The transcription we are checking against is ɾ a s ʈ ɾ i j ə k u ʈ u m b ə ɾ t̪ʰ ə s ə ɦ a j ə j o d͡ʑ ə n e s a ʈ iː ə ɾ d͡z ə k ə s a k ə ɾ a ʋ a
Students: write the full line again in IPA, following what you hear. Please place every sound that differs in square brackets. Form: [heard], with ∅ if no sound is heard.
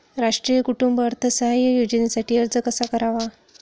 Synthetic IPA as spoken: ɾ a [ʂ] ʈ ɾ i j ə k u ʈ u m b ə ɾ t̪ʰ ə s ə ɦ a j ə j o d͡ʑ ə n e s a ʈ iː ə ɾ d͡z ə k ə s a k ə ɾ a ʋ a